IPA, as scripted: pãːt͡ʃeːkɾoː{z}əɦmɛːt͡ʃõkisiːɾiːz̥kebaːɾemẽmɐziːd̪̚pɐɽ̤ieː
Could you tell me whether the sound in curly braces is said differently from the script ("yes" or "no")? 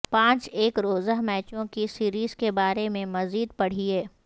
no